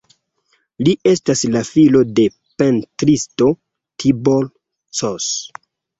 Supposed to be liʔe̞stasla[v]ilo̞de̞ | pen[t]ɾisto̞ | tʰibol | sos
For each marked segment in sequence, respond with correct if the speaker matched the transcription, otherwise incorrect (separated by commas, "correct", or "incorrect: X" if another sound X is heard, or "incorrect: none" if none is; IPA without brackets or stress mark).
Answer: incorrect: f, correct